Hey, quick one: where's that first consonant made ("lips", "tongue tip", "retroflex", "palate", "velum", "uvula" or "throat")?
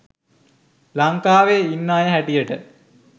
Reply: tongue tip